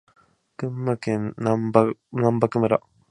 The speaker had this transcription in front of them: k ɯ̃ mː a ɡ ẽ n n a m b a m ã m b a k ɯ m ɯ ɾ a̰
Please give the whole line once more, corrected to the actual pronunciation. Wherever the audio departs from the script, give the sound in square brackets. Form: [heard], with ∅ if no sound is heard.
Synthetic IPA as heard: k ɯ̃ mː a [k] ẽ n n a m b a [n] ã m b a k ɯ m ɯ ɾ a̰